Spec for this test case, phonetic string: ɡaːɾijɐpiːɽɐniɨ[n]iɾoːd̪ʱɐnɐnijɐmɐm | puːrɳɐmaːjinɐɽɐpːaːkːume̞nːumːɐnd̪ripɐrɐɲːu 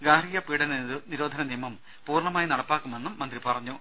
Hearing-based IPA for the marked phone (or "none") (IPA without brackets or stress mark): n